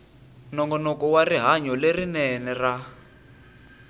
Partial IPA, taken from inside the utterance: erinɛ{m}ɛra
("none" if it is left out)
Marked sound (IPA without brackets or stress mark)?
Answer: n